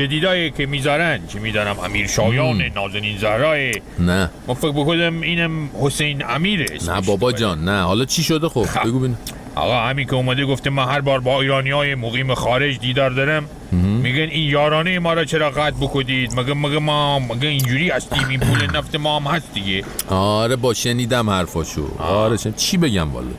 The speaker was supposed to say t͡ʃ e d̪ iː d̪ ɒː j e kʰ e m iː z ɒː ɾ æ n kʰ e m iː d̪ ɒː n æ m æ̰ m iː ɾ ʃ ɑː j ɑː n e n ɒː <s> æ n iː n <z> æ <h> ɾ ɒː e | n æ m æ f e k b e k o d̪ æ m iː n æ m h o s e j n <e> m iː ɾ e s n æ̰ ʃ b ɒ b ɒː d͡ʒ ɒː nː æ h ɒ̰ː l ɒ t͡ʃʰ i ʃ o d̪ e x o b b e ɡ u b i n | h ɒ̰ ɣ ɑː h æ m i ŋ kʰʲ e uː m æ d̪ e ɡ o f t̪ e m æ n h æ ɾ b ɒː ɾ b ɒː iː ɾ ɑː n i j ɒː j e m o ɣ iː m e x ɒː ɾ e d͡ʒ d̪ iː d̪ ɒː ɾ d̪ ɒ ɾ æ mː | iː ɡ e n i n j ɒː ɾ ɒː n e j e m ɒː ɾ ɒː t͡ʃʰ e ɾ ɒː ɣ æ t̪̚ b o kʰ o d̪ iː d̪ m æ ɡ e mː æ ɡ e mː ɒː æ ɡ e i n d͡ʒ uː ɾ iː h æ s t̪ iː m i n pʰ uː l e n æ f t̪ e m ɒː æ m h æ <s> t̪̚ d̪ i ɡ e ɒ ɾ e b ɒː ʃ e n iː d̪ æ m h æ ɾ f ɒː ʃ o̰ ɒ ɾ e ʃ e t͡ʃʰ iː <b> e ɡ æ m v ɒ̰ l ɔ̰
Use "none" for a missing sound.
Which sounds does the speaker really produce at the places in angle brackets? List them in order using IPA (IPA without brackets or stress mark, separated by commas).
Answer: z, z, h, æ, s, b